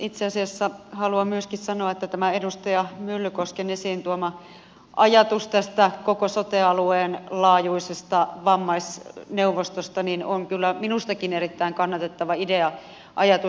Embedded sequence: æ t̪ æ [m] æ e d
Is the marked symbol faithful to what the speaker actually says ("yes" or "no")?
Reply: yes